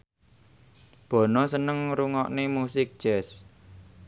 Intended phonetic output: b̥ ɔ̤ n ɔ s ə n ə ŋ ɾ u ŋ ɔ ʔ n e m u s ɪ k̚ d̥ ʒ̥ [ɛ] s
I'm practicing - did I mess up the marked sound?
no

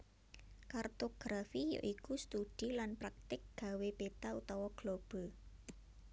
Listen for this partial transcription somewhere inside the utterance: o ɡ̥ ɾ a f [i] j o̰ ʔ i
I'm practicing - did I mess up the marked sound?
no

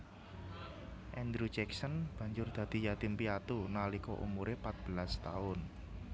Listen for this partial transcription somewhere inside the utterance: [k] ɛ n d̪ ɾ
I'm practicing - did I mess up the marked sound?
yes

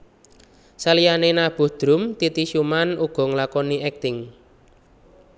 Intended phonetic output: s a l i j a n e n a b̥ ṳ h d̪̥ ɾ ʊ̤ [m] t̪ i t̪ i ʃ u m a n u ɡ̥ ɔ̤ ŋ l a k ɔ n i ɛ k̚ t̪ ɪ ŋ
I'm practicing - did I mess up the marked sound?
no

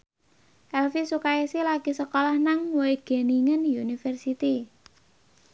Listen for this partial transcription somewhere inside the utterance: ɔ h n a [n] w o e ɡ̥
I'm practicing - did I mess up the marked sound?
yes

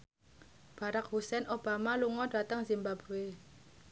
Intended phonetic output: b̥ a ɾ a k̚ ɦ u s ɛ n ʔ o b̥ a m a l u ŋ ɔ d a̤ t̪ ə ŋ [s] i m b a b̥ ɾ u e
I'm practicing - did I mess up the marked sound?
yes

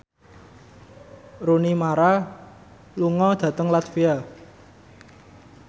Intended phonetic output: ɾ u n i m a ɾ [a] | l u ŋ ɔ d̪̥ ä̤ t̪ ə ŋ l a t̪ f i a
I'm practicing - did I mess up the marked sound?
no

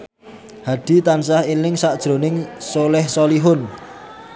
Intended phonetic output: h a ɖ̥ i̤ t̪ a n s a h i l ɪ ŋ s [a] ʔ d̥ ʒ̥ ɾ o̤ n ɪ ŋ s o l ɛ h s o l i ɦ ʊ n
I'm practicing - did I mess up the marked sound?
no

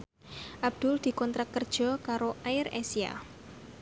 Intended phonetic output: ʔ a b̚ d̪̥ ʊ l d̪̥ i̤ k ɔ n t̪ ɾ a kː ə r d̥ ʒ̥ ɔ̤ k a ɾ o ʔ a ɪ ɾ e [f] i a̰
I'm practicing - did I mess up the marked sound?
yes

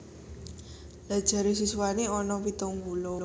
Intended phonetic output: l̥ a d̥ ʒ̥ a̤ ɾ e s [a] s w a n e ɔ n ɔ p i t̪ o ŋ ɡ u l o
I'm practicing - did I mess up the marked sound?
yes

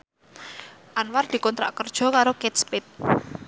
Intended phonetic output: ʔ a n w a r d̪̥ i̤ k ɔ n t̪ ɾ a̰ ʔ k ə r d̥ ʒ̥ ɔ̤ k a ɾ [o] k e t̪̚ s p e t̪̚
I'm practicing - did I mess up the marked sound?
no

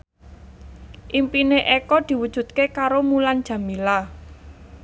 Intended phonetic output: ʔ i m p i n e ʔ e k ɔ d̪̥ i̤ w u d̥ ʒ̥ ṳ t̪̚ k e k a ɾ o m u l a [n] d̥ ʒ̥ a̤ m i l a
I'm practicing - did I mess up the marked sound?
no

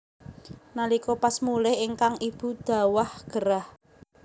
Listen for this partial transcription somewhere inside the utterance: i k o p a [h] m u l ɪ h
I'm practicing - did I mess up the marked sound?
yes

